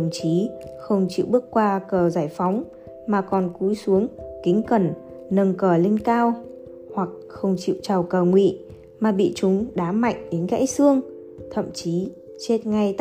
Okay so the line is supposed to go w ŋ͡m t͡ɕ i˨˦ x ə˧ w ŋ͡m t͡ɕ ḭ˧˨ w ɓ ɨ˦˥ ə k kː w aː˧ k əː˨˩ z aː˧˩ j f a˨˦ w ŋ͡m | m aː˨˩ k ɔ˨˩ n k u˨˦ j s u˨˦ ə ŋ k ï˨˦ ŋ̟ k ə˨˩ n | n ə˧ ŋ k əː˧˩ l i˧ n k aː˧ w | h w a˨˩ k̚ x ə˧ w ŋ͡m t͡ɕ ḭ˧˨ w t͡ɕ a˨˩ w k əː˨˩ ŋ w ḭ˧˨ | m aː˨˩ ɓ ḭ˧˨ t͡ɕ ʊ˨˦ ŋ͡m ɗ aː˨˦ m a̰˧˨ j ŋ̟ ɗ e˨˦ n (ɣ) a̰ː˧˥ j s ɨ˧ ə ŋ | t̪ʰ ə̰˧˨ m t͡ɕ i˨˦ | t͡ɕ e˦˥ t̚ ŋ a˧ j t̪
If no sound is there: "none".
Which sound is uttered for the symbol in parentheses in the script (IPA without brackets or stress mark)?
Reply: ɣ